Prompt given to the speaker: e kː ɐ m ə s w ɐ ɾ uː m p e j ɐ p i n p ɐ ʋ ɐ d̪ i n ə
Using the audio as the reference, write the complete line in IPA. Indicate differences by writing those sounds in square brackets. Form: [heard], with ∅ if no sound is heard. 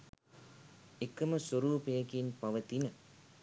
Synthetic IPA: e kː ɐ m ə s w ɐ ɾ uː [∅] p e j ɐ [k] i n p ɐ ʋ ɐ [t̪] i n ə